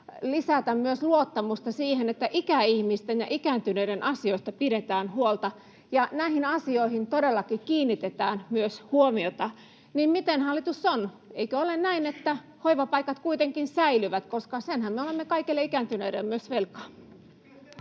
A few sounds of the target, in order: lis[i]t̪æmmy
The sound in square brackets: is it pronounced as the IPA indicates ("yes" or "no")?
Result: no